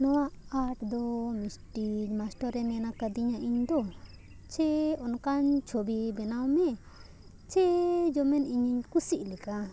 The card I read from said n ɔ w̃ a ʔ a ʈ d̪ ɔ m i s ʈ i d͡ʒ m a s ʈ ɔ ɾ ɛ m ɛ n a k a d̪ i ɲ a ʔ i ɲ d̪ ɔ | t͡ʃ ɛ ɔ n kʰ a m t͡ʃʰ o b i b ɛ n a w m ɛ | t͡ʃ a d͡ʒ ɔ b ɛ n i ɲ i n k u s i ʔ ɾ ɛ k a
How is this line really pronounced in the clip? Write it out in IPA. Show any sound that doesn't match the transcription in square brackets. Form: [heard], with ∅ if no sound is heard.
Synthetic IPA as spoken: n ɔ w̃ a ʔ a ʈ d̪ ɔ m i s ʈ i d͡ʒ m a s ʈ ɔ ɾ ɛ m ɛ n a k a d̪ i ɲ a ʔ i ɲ d̪ ɔ | t͡ʃ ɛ ɔ n [k] a [ɲ] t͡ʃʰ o b i b ɛ n a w m ɛ | t͡ʃ [ɛ] d͡ʒ ɔ [m] ɛ n i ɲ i [ɲ] k u s i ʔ [l] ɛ k a